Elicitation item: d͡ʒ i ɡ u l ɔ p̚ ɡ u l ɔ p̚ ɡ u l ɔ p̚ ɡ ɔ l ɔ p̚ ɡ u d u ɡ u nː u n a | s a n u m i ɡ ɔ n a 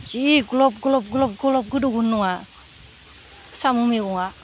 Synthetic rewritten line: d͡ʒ i ɡ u l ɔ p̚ ɡ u l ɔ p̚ ɡ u l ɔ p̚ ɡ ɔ l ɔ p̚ ɡ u d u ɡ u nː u ŋ a | s a m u m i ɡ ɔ ŋ a